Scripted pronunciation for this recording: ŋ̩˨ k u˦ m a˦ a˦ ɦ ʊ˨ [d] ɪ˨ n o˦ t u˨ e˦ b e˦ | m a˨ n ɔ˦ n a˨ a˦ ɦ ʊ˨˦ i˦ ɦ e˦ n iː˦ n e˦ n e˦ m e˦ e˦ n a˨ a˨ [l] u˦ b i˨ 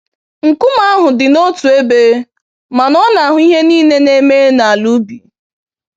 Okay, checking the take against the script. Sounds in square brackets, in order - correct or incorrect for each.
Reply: correct, correct

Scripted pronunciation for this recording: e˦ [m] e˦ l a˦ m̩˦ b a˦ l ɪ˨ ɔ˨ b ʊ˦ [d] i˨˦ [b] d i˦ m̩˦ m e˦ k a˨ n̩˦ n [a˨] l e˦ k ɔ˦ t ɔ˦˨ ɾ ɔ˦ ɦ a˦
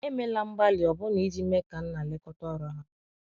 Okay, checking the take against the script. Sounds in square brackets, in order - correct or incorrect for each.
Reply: correct, incorrect, incorrect, correct

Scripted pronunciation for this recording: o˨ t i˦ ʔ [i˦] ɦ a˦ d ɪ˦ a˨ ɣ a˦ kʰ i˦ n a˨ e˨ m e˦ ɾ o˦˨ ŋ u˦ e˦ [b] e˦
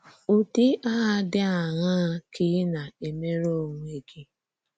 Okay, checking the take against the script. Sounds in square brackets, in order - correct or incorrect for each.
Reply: incorrect, incorrect

